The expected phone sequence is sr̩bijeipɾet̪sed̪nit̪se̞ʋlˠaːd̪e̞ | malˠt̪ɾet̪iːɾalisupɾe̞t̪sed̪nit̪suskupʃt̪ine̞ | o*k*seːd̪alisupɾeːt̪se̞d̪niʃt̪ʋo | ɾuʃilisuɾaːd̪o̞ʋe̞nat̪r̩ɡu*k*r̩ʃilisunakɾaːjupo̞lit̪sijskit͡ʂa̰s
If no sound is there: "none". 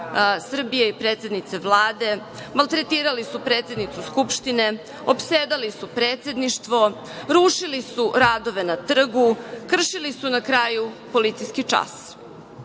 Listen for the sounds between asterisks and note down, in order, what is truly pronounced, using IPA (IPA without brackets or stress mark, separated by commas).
p, k